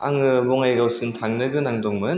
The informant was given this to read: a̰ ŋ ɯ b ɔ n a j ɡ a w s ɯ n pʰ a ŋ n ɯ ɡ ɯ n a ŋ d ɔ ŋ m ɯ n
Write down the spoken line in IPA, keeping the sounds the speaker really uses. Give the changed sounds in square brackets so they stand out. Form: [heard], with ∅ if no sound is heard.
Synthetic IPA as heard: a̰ ŋ ɯ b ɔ [ŋ] a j ɡ a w s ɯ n [tʰ] a ŋ n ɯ ɡ ɯ n a ŋ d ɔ ŋ m ɯ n